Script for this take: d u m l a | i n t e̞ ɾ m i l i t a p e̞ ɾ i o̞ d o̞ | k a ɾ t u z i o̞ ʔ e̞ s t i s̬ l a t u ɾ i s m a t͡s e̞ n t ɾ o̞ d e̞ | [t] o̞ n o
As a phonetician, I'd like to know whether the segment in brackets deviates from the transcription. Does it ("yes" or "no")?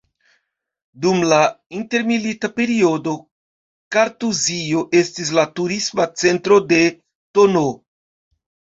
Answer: no